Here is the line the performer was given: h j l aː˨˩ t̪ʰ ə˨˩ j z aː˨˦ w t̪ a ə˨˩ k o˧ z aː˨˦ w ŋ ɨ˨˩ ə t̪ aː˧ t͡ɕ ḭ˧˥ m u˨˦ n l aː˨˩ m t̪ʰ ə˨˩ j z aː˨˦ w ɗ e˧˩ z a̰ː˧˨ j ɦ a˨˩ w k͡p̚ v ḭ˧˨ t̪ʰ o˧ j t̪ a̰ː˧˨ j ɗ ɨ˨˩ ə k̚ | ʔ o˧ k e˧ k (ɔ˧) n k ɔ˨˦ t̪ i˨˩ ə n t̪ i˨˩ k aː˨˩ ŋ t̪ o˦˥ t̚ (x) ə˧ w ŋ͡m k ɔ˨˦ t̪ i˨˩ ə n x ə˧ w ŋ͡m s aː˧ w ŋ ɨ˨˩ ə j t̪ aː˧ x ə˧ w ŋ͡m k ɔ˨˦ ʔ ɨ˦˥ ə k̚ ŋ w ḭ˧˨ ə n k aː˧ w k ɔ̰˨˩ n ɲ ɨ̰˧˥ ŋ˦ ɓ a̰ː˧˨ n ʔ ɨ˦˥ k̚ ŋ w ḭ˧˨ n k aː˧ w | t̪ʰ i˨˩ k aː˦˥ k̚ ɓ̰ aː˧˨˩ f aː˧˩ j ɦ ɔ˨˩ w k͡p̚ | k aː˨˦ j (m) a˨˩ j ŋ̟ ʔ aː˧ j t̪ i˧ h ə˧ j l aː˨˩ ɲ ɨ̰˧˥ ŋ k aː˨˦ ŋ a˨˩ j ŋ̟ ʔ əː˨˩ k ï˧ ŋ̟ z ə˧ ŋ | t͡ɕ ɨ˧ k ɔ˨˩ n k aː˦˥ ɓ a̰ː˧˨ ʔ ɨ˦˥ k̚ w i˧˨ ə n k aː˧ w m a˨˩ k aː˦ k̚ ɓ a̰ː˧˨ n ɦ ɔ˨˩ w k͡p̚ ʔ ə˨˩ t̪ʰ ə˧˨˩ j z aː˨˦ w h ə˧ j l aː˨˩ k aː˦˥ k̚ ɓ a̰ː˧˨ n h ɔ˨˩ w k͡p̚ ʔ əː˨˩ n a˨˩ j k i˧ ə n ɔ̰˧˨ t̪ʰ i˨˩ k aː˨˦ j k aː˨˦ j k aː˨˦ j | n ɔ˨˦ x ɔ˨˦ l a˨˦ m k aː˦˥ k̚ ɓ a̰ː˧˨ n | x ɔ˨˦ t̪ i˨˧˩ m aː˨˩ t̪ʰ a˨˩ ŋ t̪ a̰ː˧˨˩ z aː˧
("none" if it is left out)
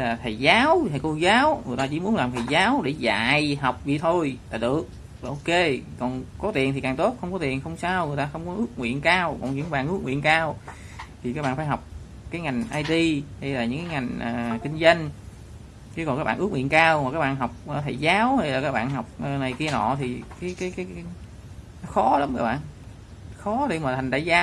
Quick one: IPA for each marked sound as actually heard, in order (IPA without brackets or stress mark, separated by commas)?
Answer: ɔ˨˩, x, ŋ